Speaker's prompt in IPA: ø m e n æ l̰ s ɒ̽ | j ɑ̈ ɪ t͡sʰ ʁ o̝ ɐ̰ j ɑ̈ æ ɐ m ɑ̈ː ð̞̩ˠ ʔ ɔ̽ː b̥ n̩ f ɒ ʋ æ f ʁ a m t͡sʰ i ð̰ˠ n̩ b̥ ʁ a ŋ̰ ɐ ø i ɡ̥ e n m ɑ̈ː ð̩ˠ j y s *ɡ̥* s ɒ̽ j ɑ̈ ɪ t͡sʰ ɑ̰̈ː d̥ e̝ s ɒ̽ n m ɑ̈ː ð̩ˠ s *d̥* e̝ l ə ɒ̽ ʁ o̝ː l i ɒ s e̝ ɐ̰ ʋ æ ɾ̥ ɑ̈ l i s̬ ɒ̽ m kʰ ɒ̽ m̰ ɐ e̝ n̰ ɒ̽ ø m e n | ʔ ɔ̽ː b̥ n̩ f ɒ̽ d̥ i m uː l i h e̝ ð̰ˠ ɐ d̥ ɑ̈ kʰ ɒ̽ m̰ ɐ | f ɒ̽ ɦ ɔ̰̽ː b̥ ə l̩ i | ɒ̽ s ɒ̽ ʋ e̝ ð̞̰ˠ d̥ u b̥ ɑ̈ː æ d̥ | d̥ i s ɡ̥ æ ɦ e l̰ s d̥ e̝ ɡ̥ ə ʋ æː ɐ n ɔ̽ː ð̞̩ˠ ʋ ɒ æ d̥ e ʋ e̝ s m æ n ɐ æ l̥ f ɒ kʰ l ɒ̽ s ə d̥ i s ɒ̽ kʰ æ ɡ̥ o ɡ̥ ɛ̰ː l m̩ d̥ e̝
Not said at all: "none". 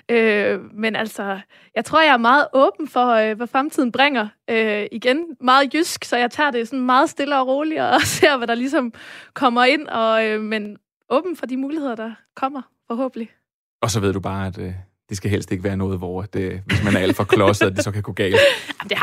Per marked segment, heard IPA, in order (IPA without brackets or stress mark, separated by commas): ɡ̥, d̥